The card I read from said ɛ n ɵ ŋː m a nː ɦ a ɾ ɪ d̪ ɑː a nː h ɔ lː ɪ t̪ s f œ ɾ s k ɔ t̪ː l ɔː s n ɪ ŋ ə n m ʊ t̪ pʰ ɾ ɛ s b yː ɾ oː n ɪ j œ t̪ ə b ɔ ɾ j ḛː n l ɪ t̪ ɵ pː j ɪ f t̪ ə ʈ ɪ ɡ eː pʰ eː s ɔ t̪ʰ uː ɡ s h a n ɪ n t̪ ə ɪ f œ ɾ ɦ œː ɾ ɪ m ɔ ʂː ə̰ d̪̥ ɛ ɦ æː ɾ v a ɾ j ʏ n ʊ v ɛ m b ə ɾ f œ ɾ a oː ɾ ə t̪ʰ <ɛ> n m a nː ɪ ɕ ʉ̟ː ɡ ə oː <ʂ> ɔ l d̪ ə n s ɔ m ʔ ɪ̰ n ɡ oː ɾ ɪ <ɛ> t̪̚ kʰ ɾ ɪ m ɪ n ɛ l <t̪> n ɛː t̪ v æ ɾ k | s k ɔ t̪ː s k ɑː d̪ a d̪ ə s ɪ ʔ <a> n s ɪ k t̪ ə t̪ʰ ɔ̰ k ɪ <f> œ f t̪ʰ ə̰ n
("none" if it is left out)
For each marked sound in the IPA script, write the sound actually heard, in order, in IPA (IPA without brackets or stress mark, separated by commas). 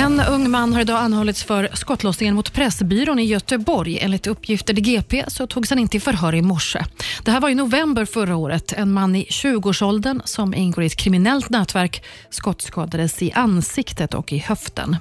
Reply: ɛ, ʂ, ɛ, t̪, a, h